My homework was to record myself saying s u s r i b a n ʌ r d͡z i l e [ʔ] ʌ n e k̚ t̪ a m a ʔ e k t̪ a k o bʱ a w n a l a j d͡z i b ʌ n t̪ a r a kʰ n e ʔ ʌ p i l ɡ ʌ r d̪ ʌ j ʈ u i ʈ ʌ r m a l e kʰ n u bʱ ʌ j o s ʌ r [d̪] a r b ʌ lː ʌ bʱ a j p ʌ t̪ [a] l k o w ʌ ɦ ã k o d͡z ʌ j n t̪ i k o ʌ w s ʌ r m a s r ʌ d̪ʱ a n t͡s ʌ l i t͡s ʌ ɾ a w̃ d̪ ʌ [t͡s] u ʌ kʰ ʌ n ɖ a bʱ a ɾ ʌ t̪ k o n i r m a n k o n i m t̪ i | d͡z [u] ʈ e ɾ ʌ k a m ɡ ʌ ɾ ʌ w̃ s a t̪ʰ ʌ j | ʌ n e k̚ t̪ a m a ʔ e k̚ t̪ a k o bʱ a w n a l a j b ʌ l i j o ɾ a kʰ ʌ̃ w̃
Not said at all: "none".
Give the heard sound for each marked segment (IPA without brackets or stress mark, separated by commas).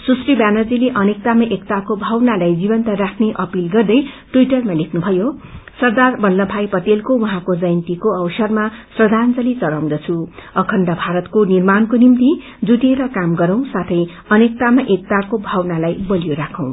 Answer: ʔ, d̪, e, t͡sʰ, u